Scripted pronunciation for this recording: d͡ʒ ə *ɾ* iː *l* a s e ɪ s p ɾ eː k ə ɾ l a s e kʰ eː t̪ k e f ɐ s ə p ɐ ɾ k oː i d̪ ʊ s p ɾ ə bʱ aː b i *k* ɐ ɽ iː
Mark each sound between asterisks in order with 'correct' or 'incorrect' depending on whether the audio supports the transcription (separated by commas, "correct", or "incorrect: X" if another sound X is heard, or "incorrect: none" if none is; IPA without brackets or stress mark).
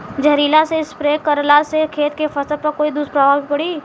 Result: correct, correct, incorrect: p